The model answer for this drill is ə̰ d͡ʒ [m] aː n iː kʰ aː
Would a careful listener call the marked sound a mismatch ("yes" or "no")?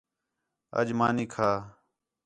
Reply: no